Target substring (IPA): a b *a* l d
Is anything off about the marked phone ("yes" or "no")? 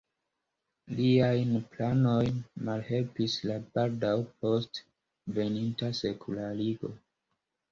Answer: no